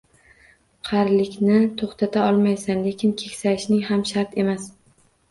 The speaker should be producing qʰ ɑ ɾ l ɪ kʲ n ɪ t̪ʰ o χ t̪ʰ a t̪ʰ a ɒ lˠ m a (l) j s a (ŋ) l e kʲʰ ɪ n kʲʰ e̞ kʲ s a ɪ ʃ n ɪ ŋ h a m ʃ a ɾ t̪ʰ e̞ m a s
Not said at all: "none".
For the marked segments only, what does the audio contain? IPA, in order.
none, n

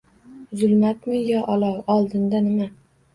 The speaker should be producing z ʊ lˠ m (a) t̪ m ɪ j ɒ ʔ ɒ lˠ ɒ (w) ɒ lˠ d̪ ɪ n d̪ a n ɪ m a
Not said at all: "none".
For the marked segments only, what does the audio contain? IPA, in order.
a, w

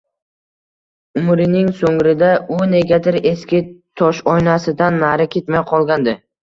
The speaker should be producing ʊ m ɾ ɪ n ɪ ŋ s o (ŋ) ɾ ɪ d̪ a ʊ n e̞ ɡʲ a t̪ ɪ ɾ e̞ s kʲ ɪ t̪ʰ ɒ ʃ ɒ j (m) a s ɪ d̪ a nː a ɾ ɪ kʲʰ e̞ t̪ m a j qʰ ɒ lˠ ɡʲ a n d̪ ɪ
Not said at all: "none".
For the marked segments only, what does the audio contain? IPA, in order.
ŋ, n

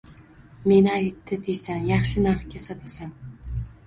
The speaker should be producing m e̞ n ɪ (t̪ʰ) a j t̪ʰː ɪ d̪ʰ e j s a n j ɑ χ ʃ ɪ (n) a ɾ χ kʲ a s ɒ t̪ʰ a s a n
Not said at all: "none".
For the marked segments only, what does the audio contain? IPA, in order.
none, n

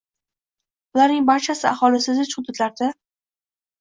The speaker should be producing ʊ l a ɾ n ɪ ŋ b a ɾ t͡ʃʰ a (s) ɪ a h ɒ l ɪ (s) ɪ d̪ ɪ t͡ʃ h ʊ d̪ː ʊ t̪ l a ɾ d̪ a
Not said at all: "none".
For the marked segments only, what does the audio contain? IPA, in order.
s, s

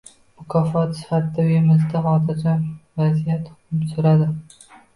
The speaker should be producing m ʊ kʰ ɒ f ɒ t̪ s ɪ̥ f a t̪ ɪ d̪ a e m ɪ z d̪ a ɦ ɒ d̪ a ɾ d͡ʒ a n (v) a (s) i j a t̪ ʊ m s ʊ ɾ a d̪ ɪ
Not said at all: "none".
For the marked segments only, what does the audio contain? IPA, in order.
v, z

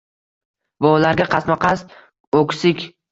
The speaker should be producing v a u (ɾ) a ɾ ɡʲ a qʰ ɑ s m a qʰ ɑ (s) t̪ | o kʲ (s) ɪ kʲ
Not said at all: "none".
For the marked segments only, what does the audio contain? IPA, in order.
l, s, s

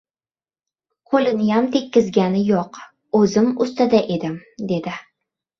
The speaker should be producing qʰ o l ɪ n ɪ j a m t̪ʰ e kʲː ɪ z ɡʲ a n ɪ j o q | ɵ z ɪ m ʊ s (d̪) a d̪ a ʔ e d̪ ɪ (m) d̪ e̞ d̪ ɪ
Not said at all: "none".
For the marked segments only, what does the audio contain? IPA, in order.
t̪, m

